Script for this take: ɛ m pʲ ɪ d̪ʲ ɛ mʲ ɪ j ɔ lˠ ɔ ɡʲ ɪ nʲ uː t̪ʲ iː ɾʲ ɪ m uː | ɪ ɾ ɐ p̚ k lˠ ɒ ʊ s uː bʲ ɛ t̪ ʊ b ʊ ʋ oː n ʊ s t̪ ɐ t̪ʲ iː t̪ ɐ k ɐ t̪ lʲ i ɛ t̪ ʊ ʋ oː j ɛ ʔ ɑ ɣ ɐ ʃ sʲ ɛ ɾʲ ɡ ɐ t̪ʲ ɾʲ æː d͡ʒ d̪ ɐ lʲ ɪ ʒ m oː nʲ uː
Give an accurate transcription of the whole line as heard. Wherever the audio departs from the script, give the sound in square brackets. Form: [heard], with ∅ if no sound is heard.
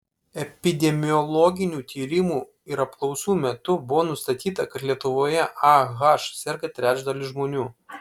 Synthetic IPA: ɛ [∅] pʲ ɪ d̪ʲ ɛ mʲ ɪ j ɔ lˠ ɔ ɡʲ ɪ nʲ uː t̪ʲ iː ɾʲ ɪ m uː | ɪ ɾ ɐ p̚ k lˠ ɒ ʊ s uː [mʲ] ɛ t̪ ʊ b ʊ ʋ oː n ʊ s t̪ ɐ t̪ʲ iː t̪ ɐ k ɐ t̪ lʲ i ɛ t̪ ʊ ʋ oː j ɛ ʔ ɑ ɣ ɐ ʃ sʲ ɛ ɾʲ ɡ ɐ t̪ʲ ɾʲ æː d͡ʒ d̪ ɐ lʲ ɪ ʒ m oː nʲ uː

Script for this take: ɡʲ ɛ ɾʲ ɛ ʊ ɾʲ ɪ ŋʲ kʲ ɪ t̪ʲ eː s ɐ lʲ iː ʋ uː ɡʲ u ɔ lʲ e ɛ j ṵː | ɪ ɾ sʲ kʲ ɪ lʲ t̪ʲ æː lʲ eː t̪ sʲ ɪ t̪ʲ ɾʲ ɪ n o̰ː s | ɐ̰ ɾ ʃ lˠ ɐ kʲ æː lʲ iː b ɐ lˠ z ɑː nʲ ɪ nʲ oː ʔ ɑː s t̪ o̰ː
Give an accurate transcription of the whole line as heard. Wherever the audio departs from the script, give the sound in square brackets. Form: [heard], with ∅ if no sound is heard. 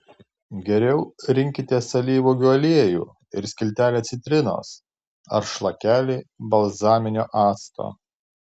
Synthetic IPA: ɡʲ ɛ ɾʲ ɛ ʊ ɾʲ ɪ ŋʲ kʲ ɪ t̪ʲ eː s ɐ lʲ iː ʋ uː ɡʲ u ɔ lʲ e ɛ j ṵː | ɪ ɾ sʲ kʲ ɪ lʲ t̪ʲ æː lʲ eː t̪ sʲ ɪ t̪ʲ ɾʲ ɪ n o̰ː s | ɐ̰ ɾ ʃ lˠ ɐ kʲ æː lʲ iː b ɐ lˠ z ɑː [mʲ] ɪ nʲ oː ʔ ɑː s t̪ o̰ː

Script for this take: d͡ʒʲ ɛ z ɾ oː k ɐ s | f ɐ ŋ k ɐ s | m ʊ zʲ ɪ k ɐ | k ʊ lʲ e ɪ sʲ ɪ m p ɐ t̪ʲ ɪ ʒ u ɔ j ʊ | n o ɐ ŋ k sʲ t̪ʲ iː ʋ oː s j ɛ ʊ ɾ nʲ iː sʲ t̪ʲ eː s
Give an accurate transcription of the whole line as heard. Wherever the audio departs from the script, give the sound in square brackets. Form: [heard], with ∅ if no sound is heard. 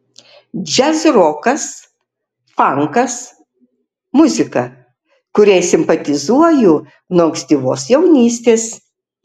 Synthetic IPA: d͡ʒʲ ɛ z ɾ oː k ɐ s | f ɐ ŋ k ɐ s | m ʊ zʲ ɪ k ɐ | k ʊ [ɾʲ] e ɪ sʲ ɪ m p ɐ t̪ʲ ɪ [z] u ɔ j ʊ | n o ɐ ŋ k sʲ t̪ʲ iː ʋ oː s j ɛ ʊ [∅] nʲ iː sʲ t̪ʲ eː s

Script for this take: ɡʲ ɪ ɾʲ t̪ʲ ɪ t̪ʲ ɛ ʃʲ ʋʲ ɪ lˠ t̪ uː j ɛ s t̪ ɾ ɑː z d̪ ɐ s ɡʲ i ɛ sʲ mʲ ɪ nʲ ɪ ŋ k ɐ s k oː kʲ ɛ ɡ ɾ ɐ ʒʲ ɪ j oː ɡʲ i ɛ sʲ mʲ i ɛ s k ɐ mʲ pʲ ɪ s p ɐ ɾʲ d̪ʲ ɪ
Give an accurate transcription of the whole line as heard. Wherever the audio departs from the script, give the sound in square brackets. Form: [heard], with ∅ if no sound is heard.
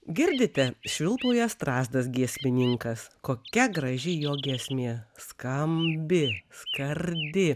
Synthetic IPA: ɡʲ ɪ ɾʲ [d̪ʲ] ɪ t̪ʲ ɛ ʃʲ ʋʲ ɪ lˠ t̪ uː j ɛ s t̪ ɾ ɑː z d̪ ɐ s ɡʲ i ɛ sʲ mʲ ɪ nʲ ɪ ŋ k ɐ s k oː kʲ ɛ ɡ ɾ ɐ ʒʲ ɪ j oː ɡʲ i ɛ sʲ mʲ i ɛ s k ɐ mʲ [bʲ] ɪ s [k] ɐ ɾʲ d̪ʲ ɪ

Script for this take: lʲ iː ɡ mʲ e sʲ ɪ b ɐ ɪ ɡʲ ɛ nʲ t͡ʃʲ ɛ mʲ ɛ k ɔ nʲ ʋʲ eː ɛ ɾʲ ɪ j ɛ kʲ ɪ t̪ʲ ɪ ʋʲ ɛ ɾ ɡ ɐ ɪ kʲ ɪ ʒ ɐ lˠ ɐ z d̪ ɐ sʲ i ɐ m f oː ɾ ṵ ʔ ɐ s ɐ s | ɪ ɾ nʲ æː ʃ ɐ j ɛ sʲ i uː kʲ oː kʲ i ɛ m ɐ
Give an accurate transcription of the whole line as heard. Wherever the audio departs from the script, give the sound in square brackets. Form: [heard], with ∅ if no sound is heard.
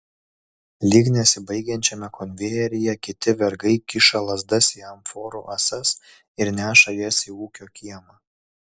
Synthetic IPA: lʲ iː ɡ [nʲ] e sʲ ɪ b ɐ ɪ ɡʲ ɛ nʲ t͡ʃʲ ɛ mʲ ɛ k ɔ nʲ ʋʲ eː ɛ ɾʲ ɪ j ɛ kʲ ɪ t̪ʲ ɪ ʋʲ ɛ ɾ ɡ ɐ ɪ kʲ ɪ [ʃ] ɐ lˠ ɐ z d̪ ɐ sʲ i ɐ m f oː ɾ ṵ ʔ ɐ s ɐ s | ɪ ɾ nʲ æː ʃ ɐ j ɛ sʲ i uː kʲ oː kʲ i ɛ m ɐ

